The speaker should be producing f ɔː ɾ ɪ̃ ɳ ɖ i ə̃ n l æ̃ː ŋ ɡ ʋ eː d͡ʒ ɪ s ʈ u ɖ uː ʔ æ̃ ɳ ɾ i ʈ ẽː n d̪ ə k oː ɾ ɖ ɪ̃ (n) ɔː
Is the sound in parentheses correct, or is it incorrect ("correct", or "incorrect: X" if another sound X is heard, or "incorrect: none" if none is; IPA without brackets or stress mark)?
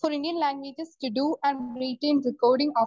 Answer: incorrect: ŋ